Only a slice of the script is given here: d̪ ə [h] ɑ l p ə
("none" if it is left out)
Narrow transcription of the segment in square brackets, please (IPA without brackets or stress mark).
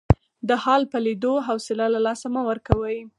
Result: h